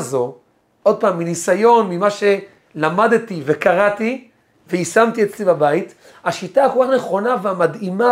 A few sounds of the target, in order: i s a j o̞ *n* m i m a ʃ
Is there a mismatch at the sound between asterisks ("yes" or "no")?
no